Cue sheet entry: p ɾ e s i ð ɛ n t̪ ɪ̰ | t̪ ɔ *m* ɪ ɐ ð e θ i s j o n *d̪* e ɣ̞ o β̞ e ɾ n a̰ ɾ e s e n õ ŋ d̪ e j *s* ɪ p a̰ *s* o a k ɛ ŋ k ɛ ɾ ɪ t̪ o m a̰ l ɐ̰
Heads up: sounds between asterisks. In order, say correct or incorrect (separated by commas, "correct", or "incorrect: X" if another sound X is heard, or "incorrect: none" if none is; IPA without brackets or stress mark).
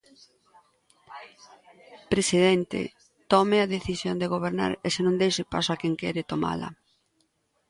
correct, correct, incorrect: ʃ, correct